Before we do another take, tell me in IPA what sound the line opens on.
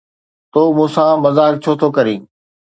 t̪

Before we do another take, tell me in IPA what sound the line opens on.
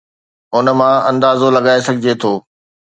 ʊ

